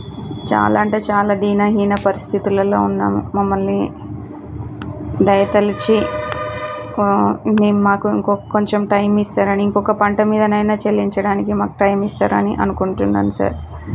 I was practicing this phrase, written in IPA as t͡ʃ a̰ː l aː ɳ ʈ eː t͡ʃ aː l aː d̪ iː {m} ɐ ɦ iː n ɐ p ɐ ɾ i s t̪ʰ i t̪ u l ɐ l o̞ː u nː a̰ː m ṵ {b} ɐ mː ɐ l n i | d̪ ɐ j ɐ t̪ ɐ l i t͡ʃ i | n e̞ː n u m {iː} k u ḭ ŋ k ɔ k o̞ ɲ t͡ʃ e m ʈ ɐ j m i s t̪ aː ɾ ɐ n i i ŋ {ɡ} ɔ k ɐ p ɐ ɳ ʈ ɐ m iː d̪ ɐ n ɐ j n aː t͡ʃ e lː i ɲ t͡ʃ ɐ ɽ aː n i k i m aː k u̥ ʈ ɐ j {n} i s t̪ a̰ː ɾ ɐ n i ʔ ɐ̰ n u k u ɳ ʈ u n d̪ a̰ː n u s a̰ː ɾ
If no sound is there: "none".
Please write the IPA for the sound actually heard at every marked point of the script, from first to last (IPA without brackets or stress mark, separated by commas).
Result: n, m, aː, k, m